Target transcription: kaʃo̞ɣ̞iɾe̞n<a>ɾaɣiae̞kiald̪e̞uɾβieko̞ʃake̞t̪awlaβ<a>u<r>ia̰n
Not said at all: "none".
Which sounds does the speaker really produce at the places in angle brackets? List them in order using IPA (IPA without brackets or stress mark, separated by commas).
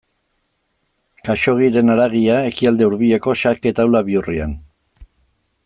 a, i, r